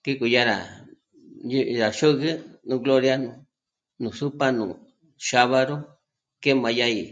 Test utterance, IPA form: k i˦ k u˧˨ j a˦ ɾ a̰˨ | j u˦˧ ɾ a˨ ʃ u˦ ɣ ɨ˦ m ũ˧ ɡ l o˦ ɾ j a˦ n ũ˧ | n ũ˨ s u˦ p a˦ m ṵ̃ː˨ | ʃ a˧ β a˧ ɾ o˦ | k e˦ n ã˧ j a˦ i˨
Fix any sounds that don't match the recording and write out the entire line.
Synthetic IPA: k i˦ k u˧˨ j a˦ ɾ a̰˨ | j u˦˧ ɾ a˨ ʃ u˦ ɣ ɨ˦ n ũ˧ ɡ l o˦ ɾ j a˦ n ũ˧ | n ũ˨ s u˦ p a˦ n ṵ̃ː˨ | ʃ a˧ β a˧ ɾ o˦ | k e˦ m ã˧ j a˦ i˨